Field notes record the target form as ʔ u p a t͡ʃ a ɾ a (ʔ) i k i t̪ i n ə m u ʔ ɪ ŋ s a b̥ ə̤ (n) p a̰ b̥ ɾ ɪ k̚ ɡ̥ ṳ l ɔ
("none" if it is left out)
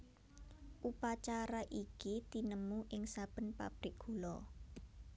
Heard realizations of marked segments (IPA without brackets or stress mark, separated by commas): ʔ, n